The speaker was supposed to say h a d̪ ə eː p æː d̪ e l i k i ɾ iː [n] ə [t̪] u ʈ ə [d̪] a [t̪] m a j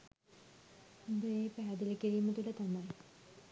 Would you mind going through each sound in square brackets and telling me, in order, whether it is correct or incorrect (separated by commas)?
incorrect, correct, incorrect, incorrect